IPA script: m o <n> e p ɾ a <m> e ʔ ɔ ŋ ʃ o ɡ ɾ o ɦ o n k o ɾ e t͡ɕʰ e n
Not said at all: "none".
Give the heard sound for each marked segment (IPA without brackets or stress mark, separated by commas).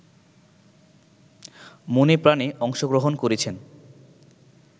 n, n